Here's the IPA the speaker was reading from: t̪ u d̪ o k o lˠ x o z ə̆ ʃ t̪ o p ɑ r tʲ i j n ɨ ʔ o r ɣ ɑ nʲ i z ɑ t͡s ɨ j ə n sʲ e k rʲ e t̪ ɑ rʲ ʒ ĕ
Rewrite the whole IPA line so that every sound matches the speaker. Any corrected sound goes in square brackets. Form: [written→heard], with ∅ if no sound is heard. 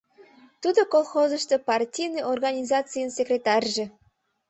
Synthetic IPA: t̪ u d̪ o k o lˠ x o z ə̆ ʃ t̪ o p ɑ r tʲ i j n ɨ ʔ o r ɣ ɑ nʲ i z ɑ t͡s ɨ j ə n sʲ e k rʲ e t̪ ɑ rʲ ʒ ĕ